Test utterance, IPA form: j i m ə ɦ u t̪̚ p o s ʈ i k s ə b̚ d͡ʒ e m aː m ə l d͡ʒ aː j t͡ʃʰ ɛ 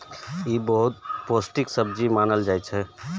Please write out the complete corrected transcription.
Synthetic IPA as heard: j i b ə ɦ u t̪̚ p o s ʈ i k s ə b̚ d͡ʒ i m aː n ə l d͡ʒ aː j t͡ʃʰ ɛ